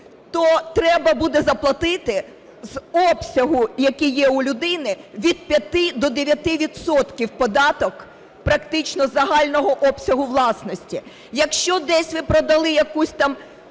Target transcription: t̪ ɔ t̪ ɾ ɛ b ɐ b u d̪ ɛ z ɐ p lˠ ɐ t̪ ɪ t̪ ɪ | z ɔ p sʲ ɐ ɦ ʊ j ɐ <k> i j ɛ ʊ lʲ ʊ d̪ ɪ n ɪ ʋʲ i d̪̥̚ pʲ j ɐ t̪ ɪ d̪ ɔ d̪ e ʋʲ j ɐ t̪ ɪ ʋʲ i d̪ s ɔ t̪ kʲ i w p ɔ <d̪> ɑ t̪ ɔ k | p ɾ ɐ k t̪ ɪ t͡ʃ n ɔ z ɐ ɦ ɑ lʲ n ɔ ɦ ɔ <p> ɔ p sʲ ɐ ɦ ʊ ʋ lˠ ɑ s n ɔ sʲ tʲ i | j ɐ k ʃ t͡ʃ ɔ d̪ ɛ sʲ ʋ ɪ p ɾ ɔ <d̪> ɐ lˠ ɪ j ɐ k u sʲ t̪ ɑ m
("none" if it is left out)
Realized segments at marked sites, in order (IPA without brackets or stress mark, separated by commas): k, d̪, ʔ, d̪